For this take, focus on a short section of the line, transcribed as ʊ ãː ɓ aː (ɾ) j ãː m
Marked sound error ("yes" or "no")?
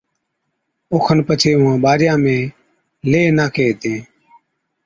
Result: no